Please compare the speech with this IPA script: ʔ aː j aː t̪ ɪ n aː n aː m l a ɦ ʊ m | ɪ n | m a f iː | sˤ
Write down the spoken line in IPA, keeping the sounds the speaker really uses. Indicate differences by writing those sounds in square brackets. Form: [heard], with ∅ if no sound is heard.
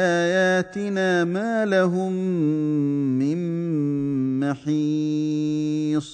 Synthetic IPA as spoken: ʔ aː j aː t̪ ɪ n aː [m] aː [∅] l a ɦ ʊ m | ɪ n | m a [ħ] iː | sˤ